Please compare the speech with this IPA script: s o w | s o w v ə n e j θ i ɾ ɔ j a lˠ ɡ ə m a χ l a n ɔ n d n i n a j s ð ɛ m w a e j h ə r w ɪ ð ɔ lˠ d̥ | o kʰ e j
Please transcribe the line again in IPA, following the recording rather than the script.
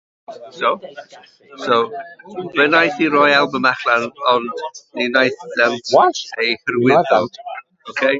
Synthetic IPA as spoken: s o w | s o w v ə n a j θ i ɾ ɔ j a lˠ b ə m a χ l a n ɔ n d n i n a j θ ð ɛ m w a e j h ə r w ɪ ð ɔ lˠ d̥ | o kʰ e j

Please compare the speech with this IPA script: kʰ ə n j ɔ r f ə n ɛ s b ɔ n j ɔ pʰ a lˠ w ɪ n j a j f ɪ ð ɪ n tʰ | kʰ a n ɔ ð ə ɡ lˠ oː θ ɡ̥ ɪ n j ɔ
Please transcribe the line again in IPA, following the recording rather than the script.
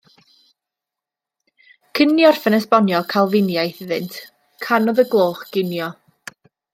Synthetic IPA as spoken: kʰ ə n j ɔ r f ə n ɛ s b ɔ n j ɔ kʰ a lˠ v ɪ n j a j θ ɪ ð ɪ n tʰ | kʰ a n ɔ ð ə ɡ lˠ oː χ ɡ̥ ɪ n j ɔ

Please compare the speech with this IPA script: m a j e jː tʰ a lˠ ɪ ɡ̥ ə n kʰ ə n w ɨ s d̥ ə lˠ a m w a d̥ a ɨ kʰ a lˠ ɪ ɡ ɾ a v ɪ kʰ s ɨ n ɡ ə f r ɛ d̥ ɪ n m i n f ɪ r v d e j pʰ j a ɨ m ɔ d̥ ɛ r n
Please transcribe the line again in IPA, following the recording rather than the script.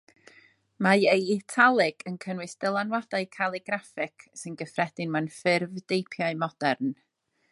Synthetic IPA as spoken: m a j e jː tʰ a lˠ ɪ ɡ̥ ə n kʰ ə n w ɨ s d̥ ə lˠ a n w a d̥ a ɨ kʰ a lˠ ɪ ɡ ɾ a f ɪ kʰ s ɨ n ɡ ə f r ɛ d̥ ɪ n m a n f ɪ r v d e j pʰ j a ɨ m ɔ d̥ ɛ r n

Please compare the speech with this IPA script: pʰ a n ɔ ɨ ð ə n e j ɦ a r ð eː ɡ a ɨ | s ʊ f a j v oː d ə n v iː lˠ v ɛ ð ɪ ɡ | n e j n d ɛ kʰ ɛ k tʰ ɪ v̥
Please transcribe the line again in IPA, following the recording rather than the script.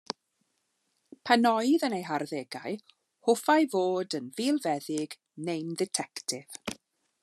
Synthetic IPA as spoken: pʰ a n ɔ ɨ ð ə n e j ɦ a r ð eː ɡ a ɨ | h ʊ f a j v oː d ə n v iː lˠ v ɛ ð ɪ ɡ | n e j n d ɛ tʰ ɛ k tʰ ɪ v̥

